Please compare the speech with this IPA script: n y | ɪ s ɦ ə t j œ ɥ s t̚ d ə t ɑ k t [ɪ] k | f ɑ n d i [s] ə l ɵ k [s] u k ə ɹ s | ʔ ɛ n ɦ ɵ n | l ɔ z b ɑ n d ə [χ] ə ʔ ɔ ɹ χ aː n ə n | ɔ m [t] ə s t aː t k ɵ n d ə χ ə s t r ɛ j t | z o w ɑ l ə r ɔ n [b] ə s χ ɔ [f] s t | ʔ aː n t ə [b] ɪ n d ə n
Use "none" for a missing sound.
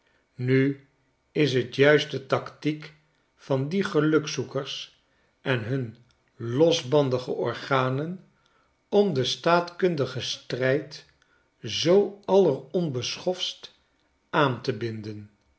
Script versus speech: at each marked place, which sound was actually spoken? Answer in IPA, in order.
i, χ, s, χ, d, b, f, b

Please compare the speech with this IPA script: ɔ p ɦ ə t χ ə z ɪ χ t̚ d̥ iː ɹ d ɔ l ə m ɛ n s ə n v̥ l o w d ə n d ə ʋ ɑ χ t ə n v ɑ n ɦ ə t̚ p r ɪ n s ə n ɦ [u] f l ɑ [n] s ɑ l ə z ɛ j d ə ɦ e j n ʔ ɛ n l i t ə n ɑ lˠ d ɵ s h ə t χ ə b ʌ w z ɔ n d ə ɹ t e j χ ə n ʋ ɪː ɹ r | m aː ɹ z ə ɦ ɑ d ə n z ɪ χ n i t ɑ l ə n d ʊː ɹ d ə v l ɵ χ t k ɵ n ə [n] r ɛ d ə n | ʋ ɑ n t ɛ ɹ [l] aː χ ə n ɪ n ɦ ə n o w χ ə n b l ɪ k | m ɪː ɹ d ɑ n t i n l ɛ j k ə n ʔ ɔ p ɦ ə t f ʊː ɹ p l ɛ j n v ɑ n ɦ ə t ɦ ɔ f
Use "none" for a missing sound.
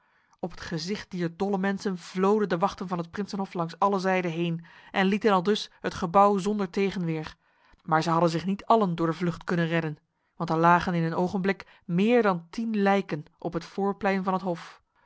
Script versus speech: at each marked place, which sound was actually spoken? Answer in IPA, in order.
ɔ, ŋ, n, l

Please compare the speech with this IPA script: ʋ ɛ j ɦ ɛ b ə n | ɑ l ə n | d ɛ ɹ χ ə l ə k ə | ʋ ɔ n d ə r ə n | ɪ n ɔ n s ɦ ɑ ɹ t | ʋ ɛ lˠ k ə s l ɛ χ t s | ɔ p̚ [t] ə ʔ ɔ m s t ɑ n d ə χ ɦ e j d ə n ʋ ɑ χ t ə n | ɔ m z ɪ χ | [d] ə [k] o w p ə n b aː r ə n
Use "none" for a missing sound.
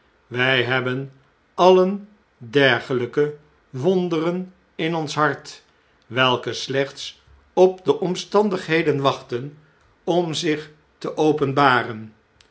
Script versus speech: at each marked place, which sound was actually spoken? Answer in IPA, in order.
d, t, ʔ

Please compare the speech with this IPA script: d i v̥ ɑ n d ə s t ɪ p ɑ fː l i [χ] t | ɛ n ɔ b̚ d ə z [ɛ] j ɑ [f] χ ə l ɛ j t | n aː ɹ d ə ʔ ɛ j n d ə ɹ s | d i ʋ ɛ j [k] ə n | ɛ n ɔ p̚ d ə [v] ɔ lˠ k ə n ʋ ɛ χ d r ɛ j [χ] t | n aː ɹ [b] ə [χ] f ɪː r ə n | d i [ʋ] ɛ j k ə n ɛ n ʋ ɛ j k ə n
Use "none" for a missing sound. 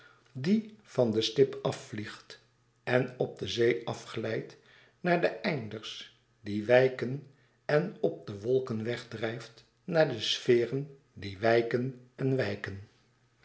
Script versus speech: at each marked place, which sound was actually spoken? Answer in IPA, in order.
χ, e, f, k, ʋ, f, d, s, ʋ

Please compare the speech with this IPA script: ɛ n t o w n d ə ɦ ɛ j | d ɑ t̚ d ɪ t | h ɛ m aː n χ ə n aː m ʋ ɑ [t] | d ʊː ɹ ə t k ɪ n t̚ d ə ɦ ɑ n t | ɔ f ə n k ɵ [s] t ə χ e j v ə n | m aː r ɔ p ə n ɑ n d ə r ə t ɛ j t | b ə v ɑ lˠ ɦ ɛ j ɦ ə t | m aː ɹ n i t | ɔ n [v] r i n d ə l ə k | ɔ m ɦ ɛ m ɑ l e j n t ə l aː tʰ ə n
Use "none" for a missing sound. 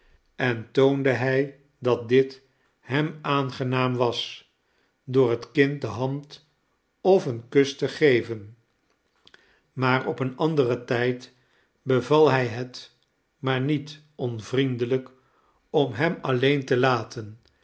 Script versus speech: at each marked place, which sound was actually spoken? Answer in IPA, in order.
s, s, v

